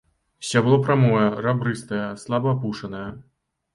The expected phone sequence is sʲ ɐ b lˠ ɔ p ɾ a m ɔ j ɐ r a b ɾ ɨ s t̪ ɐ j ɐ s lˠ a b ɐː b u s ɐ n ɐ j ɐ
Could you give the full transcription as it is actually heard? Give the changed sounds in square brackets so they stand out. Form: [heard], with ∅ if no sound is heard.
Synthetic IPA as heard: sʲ [a] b lˠ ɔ p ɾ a m ɔ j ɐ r a b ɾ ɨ s t̪ ɐ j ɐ s lˠ a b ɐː [p] u [ʂ] ɐ n ɐ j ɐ